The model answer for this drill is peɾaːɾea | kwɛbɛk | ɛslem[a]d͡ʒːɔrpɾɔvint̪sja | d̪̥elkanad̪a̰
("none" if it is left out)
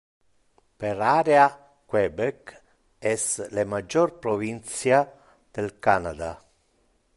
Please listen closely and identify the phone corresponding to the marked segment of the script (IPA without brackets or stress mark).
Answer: a